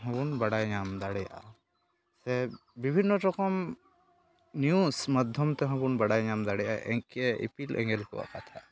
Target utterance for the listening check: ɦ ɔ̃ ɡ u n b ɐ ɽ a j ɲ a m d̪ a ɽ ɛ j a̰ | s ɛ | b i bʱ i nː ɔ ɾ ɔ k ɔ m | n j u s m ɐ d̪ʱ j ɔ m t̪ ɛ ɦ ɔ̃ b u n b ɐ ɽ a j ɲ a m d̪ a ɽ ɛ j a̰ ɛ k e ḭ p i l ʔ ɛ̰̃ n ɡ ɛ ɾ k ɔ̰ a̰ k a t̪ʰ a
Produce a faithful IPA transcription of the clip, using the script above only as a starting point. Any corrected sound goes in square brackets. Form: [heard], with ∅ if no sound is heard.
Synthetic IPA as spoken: ɦ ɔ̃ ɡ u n b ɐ ɽ a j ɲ a m d̪ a ɽ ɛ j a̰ | s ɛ | b i bʱ i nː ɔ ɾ ɔ k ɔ m | n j u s m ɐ d̪ʱ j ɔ m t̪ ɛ ɦ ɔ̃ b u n b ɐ ɽ a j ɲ a m d̪ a ɽ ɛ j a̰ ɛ k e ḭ p i l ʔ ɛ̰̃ [ŋ] ɡ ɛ [l] k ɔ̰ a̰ k a t̪ʰ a